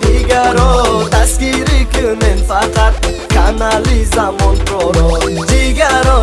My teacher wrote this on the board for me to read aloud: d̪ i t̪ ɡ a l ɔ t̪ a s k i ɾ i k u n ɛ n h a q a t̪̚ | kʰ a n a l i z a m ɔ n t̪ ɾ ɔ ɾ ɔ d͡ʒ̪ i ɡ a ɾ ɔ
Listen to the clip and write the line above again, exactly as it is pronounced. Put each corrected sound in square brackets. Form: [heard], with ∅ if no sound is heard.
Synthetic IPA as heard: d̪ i [∅] ɡ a [ɾ] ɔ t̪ a s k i ɾ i k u n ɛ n [f] a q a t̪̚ | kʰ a n a l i z a m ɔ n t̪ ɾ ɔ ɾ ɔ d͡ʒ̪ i ɡ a ɾ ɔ